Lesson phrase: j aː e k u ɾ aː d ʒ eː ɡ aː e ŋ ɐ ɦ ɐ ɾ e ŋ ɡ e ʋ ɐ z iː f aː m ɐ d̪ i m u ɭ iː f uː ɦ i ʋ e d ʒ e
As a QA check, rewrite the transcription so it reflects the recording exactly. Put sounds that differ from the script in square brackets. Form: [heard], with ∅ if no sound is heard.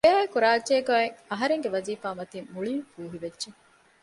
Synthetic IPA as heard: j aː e k u ɾ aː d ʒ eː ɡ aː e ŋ ɐ ɦ ɐ ɾ e ŋ ɡ e ʋ ɐ z iː f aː m ɐ [t̪] i m u ɭ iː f uː ɦ i ʋ e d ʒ e